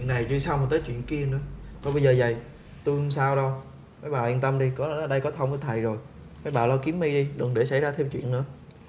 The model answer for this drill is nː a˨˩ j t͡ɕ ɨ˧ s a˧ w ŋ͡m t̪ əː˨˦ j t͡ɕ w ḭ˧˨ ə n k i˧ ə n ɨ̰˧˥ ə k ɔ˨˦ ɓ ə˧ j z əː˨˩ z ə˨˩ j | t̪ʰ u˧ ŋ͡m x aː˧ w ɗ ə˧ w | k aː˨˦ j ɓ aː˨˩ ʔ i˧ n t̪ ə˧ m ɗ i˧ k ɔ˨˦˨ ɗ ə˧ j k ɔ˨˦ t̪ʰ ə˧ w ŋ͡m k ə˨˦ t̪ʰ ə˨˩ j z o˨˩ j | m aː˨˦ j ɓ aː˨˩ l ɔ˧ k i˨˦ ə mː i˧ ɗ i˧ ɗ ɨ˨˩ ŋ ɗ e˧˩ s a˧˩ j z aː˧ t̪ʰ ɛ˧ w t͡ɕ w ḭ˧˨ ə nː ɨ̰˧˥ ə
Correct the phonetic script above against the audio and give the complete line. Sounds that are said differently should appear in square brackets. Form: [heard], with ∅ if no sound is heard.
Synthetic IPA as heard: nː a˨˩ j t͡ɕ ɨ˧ s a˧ w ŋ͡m t̪ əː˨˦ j t͡ɕ w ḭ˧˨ ə n k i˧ ə n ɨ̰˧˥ ə k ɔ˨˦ ɓ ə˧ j z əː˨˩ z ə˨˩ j | [t̪] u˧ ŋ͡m [s] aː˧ w ɗ ə˧ w | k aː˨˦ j ɓ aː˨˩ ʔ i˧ n t̪ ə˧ m ɗ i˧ k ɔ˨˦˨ ɗ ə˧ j k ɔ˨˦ t̪ʰ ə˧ w ŋ͡m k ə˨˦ t̪ʰ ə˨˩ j z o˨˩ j | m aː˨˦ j ɓ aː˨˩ l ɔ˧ k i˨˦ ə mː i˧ ɗ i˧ ɗ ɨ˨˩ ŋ ɗ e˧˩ s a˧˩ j z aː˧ t̪ʰ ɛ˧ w t͡ɕ w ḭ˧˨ ə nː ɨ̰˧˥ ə